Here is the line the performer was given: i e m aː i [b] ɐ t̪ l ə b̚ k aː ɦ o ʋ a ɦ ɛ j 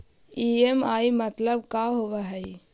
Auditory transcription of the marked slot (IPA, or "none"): m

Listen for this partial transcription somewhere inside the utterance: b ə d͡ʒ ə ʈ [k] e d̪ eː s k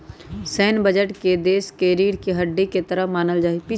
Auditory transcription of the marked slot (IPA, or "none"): k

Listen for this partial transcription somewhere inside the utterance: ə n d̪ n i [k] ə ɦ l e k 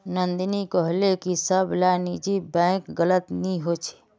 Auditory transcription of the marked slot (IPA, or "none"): k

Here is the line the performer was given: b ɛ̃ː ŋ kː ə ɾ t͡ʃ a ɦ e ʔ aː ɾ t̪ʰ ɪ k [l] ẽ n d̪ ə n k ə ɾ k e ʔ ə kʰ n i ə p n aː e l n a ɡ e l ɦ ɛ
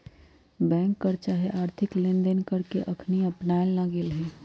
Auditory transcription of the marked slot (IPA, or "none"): l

